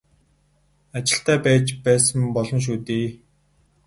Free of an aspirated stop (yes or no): yes